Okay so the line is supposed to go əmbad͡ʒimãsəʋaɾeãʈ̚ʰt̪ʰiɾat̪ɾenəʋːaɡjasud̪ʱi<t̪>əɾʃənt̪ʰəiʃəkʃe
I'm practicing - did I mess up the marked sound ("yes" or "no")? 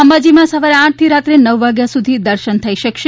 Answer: yes